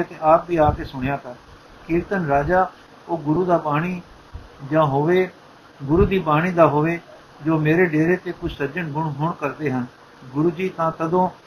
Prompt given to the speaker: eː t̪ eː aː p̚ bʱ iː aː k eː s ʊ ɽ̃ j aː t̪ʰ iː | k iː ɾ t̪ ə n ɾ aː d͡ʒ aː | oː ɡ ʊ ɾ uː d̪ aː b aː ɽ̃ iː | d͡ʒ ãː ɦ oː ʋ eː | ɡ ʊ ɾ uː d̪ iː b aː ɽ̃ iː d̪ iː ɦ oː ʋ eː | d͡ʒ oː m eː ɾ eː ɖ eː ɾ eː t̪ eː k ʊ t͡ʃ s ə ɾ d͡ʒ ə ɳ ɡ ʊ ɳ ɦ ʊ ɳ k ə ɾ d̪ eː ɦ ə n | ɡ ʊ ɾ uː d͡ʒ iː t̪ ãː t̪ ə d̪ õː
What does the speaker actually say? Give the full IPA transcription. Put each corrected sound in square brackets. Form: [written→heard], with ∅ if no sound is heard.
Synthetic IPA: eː t̪ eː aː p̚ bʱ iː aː k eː s ʊ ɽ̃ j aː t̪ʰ [iː→aː] | k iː ɾ t̪ ə n ɾ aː d͡ʒ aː | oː ɡ ʊ ɾ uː d̪ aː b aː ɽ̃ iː | d͡ʒ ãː ɦ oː ʋ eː | ɡ ʊ ɾ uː d̪ iː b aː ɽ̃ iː d̪ [iː→aː] ɦ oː ʋ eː | d͡ʒ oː m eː ɾ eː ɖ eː ɾ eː t̪ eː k ʊ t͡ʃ s ə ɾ d͡ʒ ə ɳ ɡ ʊ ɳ ɦ ʊ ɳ k ə ɾ d̪ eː ɦ ə n | ɡ ʊ ɾ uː d͡ʒ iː t̪ ãː t̪ ə d̪ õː